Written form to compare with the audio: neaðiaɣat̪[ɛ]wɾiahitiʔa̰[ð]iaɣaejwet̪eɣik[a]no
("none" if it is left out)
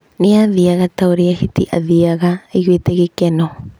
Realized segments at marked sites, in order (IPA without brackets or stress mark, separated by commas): a, ð, e